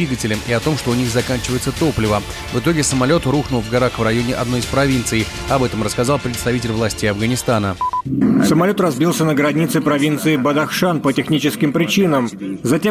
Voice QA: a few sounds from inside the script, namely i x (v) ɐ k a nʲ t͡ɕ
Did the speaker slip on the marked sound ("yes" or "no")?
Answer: yes